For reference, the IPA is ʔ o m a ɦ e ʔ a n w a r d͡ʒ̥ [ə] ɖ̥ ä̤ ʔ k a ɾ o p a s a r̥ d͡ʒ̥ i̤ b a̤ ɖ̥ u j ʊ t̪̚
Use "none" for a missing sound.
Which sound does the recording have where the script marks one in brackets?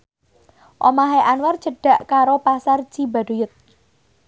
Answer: ə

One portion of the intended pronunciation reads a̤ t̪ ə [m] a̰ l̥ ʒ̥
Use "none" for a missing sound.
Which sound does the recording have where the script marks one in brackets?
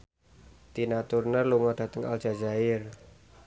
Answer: ŋ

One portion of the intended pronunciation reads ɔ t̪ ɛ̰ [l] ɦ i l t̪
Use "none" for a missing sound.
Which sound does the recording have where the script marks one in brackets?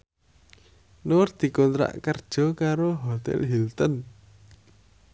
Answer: l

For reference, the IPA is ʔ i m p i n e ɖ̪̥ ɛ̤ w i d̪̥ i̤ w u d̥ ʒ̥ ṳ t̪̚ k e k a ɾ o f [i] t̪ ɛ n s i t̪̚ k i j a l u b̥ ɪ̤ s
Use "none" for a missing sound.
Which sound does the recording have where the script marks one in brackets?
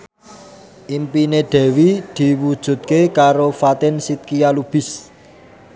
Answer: a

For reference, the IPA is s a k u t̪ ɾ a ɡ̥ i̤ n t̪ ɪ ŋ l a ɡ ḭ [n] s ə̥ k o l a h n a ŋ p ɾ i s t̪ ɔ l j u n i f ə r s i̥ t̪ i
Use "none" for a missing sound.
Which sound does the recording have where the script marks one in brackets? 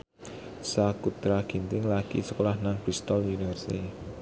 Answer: none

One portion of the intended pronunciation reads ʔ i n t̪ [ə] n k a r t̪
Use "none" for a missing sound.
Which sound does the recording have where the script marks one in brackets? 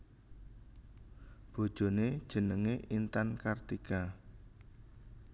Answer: a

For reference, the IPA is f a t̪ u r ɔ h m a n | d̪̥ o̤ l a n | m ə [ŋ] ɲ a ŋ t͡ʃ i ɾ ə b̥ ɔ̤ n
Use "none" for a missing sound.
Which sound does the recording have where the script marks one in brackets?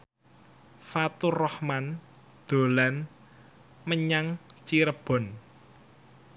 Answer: none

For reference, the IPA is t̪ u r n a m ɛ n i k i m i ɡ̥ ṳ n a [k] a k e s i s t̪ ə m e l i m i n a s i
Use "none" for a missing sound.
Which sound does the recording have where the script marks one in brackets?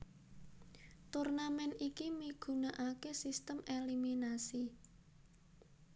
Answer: ʔ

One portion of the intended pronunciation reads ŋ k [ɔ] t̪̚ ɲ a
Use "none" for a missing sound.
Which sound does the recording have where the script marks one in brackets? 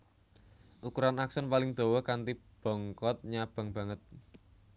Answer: ɔ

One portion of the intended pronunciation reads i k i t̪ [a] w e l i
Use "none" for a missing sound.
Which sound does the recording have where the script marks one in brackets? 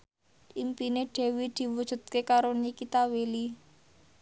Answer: a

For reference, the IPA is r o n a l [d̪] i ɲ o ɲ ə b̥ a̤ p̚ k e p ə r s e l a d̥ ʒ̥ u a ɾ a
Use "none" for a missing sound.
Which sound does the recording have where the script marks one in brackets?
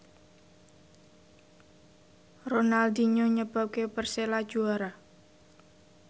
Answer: d̪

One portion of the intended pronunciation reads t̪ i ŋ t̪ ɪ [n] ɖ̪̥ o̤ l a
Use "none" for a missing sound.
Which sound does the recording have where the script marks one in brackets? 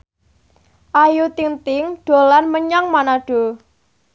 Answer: ŋ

